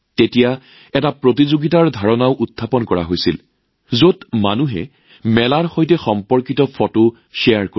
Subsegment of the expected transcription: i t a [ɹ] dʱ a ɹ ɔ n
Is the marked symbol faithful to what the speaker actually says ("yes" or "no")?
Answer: yes